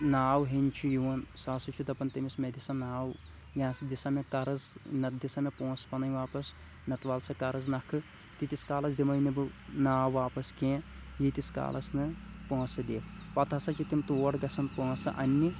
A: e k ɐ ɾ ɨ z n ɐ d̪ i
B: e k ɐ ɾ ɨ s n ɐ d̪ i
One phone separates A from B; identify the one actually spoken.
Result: A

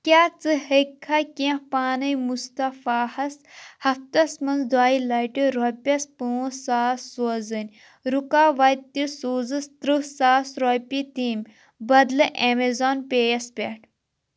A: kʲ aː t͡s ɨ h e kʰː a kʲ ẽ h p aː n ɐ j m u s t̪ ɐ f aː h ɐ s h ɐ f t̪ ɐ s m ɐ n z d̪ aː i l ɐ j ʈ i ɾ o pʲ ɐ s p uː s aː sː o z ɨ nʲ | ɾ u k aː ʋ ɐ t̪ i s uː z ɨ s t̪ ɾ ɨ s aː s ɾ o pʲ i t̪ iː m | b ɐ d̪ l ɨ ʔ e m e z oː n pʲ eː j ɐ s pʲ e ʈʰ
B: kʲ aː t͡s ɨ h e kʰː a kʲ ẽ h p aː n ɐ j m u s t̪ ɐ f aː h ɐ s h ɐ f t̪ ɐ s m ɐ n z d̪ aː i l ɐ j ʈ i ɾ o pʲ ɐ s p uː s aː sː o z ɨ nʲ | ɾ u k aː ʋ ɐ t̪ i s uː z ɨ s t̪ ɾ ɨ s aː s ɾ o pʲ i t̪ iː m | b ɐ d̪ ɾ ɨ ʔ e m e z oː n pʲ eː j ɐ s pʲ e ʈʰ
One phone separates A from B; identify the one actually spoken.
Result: A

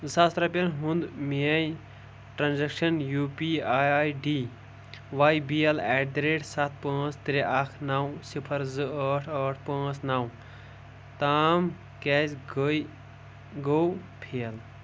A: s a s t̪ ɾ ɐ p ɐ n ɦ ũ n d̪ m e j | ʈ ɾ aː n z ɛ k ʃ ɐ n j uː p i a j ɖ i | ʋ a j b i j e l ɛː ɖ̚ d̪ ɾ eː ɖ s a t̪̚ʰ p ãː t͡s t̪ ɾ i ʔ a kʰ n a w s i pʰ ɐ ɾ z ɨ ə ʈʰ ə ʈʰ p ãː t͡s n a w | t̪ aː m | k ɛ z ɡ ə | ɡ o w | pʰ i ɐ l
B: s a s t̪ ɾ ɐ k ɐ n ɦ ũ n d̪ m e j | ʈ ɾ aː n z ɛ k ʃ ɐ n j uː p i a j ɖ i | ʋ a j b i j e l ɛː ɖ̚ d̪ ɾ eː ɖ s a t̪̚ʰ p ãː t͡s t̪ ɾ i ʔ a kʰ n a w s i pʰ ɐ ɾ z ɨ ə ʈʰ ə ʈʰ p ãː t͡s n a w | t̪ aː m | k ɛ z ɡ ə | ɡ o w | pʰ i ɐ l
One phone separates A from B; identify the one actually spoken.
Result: A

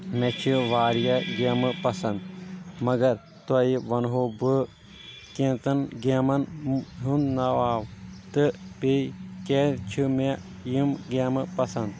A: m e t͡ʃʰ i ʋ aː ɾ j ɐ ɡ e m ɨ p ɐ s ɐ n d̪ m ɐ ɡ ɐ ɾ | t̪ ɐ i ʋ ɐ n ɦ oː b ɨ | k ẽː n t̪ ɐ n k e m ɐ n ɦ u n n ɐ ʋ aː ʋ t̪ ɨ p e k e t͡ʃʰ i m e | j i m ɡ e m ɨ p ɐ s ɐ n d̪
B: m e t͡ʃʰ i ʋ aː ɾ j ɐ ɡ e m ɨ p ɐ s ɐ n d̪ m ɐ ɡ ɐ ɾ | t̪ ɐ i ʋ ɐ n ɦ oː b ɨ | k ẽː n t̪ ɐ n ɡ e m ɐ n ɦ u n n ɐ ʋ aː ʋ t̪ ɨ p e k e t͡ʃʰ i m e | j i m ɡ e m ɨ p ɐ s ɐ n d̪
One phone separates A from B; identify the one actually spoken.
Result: B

